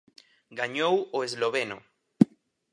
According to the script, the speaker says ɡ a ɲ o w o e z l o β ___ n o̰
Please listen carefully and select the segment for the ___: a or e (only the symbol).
e